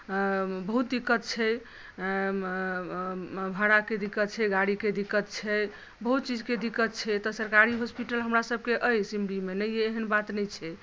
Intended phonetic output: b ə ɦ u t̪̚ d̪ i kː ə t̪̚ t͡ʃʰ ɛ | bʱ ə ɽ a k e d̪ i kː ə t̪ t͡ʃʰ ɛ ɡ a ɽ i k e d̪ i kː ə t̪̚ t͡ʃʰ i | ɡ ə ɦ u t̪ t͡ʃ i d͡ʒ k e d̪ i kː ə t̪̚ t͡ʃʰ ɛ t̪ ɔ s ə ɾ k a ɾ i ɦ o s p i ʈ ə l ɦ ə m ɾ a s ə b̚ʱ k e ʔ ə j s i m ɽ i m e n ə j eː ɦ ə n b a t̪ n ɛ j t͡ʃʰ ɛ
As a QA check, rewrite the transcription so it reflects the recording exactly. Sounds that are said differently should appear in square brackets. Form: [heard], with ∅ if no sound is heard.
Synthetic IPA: b ə ɦ u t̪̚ d̪ i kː ə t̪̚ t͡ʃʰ ɛ | bʱ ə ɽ a k e d̪ i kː ə t̪ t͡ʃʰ ɛ ɡ a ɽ i k e d̪ i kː ə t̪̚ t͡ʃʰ [ɛ] | [b] ə ɦ u t̪ t͡ʃ i d͡ʒ k e d̪ i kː ə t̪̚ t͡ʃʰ ɛ t̪ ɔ s ə ɾ k a ɾ i ɦ o s p i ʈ ə l ɦ ə m ɾ a s ə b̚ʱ k e ʔ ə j s i m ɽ i m e n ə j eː ɦ ə n b a t̪ n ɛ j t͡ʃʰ ɛ